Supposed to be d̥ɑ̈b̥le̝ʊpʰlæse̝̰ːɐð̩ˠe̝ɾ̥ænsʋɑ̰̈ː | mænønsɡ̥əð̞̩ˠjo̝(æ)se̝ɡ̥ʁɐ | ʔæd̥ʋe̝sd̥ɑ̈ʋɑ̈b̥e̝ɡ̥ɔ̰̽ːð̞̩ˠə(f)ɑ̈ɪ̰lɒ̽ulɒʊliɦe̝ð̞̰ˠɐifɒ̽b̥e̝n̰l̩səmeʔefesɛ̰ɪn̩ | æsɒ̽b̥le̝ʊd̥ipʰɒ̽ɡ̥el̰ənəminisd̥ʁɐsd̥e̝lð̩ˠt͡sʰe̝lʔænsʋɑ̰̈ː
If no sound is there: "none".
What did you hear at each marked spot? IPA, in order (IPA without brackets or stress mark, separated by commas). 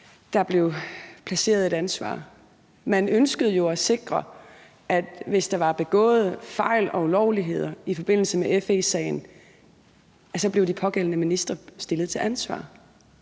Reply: æ, f